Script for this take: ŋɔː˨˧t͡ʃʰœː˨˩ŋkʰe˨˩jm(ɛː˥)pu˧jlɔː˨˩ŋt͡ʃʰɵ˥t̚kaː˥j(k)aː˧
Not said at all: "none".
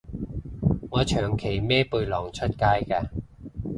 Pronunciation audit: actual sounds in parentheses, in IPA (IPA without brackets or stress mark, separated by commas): ɛː˥, k